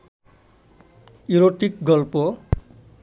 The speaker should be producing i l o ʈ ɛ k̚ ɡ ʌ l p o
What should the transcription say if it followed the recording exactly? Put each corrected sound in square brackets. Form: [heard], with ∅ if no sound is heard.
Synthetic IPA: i [ɾ] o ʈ [i] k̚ ɡ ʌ l p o